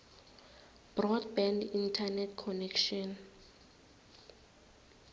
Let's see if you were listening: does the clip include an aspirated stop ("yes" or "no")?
yes